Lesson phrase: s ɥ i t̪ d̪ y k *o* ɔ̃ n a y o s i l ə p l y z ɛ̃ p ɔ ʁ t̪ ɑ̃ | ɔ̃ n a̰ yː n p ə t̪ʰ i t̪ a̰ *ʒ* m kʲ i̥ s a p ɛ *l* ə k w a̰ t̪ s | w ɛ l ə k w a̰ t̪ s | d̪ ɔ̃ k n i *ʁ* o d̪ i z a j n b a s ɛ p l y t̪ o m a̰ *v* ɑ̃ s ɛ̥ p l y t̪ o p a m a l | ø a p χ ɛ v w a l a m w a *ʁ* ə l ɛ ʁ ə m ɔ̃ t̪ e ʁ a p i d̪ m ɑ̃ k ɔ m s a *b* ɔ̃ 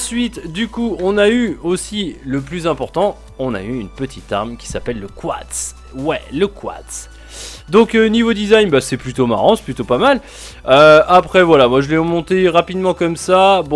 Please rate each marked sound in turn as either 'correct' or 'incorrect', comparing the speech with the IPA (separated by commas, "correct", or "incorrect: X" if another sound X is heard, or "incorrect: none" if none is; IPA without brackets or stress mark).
incorrect: u, incorrect: ʁ, incorrect: lː, incorrect: v, incorrect: ʁ, incorrect: ʒ, correct